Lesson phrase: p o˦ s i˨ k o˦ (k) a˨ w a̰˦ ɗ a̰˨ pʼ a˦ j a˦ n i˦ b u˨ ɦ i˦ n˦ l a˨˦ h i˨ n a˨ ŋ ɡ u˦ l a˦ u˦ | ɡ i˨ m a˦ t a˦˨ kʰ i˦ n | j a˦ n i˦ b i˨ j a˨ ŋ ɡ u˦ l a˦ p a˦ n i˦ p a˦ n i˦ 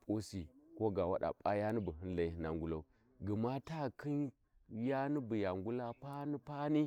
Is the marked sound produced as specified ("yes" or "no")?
no